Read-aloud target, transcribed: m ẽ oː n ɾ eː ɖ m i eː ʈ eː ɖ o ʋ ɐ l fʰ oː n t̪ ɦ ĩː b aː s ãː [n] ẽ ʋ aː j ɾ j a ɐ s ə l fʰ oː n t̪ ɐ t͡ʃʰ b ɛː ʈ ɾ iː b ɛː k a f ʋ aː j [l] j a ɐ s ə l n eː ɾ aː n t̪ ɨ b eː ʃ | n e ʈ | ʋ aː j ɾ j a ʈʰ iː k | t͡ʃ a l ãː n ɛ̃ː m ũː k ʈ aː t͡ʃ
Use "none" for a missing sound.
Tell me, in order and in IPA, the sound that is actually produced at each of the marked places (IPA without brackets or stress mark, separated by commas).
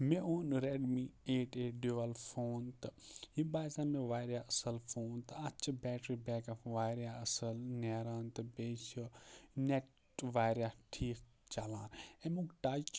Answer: m, ɾ